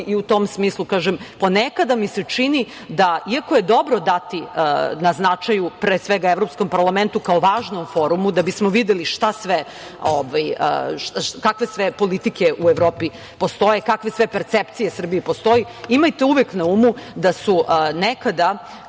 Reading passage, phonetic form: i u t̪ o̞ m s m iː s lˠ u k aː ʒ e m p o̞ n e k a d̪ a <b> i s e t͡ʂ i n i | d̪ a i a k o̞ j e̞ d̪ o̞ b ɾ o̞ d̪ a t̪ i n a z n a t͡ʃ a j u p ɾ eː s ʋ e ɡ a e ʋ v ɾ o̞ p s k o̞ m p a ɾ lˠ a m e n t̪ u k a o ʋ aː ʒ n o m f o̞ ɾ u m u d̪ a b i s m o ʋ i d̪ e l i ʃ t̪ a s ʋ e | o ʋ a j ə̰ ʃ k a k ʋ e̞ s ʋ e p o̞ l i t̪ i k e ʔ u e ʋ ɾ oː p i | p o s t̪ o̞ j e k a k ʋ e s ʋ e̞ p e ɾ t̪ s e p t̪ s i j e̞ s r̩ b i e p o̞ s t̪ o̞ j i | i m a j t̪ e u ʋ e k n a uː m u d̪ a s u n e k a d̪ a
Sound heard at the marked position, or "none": m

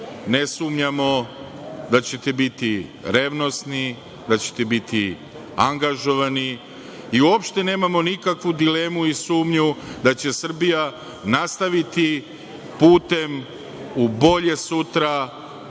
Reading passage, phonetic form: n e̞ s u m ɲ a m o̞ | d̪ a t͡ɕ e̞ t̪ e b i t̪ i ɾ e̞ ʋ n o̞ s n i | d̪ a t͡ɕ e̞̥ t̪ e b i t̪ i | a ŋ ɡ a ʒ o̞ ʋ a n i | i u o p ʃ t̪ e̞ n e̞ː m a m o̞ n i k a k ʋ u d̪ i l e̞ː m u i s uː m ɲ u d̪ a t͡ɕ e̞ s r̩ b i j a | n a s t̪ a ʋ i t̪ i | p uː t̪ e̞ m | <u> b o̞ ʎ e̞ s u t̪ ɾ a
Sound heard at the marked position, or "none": u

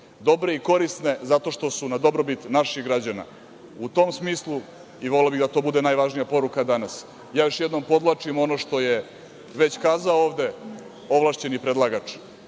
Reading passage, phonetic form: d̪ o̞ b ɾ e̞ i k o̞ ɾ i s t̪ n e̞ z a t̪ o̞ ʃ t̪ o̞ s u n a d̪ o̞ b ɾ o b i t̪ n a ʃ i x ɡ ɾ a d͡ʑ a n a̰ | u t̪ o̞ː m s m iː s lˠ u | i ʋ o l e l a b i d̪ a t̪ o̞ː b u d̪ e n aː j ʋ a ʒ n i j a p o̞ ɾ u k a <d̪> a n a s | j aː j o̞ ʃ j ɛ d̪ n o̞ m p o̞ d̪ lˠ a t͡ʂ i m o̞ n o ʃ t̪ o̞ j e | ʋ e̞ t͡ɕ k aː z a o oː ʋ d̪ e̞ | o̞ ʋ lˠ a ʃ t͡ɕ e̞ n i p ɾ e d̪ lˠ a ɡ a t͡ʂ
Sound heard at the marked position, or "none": d̪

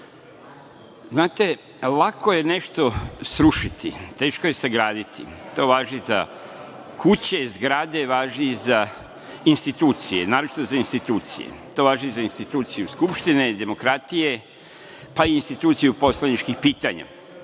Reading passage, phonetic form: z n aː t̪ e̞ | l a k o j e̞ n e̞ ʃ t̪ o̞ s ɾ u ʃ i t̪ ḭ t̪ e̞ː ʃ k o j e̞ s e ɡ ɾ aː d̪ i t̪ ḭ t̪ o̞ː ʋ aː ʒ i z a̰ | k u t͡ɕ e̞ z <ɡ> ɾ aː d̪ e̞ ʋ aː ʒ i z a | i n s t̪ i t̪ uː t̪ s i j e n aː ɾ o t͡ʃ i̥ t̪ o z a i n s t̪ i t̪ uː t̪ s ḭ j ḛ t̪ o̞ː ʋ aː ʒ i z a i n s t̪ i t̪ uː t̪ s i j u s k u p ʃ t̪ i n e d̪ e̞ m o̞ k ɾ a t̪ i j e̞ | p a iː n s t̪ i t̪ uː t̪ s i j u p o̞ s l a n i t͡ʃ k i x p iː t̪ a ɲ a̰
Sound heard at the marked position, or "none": ɡ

